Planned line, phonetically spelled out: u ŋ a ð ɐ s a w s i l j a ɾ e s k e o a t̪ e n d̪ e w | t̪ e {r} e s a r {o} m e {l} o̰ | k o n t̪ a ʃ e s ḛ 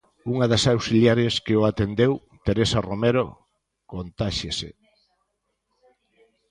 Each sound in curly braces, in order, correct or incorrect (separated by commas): incorrect, correct, incorrect